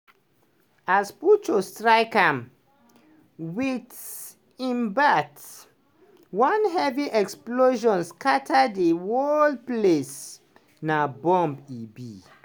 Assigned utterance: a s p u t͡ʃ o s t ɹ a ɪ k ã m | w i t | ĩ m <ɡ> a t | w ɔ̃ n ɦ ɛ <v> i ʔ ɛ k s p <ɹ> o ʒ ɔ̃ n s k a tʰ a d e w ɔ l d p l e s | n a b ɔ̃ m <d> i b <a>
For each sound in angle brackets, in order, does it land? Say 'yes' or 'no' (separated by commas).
no, yes, no, no, no